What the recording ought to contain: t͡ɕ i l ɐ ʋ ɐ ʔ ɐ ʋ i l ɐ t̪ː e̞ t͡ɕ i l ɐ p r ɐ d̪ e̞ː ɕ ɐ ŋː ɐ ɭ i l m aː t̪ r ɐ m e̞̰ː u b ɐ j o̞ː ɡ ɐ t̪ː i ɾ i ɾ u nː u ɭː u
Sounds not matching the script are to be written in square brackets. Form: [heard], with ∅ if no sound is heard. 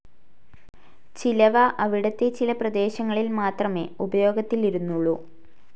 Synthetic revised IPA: t͡ɕ i l ɐ ʋ ɐ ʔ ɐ ʋ i [ɽ] ɐ t̪ː e̞ t͡ɕ i l ɐ p r ɐ d̪ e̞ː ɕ ɐ ŋː ɐ ɭ i l m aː t̪ r ɐ m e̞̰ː u b ɐ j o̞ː ɡ ɐ t̪ː i [l] i ɾ u nː u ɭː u